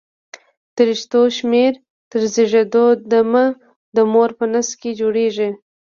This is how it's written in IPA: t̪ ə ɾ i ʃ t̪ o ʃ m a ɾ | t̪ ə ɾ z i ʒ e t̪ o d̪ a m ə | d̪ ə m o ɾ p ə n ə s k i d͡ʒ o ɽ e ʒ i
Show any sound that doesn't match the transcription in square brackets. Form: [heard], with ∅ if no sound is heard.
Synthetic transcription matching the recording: t̪ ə ɾ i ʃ t̪ o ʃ m [e] ɾ | t̪ ə ɾ z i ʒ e [d̪] o d̪ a m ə | d̪ ə m o ɾ p ə n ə s k [e] d͡ʒ o ɽ e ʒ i